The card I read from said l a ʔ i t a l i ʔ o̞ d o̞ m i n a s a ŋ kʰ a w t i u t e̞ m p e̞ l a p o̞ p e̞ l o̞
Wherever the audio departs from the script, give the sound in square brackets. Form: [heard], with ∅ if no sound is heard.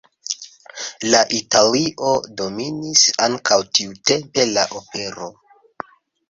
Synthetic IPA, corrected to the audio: l a ʔ i t a l i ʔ o̞ d o̞ m i n [i] s a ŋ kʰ a w t i u t e̞ m p e̞ l a [ʔ] o̞ p e̞ [ɾ] o̞